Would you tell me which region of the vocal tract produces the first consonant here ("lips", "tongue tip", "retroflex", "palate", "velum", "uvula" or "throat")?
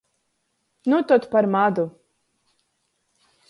tongue tip